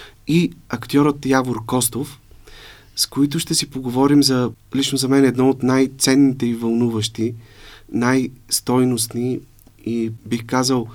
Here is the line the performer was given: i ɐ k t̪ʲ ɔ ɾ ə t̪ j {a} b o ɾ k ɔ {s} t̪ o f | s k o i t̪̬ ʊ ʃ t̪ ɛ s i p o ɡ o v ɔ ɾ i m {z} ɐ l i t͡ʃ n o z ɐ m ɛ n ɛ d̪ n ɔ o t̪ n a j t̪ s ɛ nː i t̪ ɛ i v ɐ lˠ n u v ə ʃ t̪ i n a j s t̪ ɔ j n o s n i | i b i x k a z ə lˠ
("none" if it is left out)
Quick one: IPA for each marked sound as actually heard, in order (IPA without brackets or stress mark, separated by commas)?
a, s, z